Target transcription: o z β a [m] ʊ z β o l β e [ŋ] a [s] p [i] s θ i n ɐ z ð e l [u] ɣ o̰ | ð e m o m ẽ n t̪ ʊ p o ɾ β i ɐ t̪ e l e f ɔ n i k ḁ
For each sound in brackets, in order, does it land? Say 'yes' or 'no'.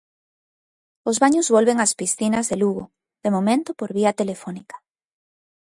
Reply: no, yes, yes, yes, yes

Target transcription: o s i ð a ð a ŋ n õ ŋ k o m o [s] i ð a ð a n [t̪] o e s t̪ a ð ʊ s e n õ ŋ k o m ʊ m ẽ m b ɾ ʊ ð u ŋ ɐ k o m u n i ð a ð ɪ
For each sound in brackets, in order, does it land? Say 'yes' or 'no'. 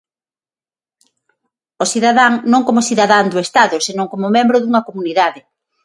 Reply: yes, no

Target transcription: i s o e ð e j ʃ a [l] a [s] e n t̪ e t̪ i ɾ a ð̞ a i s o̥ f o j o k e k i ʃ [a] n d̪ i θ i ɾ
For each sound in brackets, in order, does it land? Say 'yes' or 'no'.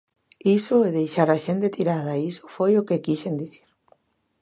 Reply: no, no, no

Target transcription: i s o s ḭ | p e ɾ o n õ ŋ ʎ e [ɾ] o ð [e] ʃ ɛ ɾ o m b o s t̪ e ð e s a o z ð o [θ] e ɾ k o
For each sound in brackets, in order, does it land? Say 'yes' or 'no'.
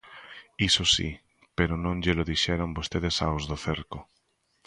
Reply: no, no, yes

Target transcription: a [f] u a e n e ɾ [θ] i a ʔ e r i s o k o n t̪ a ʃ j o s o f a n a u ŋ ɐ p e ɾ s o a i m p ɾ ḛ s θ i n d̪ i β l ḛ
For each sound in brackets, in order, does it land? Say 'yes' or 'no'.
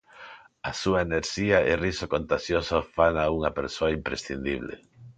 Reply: no, no

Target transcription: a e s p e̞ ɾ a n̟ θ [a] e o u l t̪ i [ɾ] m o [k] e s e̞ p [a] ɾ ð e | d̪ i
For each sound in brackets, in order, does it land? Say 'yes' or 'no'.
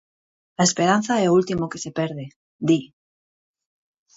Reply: yes, no, yes, no

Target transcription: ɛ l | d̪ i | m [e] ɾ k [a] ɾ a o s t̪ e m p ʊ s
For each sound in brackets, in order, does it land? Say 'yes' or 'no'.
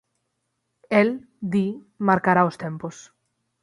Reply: no, yes

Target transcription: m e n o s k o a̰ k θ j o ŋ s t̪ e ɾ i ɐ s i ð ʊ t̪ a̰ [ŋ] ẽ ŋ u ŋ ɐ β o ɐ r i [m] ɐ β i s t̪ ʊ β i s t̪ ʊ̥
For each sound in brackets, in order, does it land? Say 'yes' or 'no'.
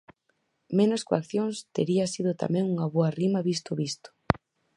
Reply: no, yes

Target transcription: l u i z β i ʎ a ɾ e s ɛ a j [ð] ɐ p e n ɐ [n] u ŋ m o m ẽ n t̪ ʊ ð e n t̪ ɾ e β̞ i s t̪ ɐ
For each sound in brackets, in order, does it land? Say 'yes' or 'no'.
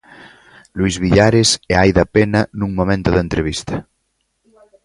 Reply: yes, yes

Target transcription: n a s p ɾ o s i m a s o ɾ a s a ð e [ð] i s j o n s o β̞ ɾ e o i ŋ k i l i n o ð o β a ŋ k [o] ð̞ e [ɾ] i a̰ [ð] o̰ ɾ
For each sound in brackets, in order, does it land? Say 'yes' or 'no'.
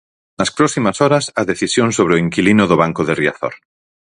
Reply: no, yes, no, no

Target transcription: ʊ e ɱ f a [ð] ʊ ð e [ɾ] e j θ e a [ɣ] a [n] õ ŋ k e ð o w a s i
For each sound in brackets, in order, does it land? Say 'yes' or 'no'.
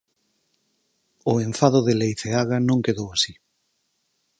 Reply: yes, no, yes, yes

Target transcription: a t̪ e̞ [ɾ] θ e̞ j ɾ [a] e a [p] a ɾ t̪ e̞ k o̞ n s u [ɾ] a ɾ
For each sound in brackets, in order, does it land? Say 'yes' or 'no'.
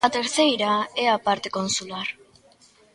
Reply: yes, yes, yes, no

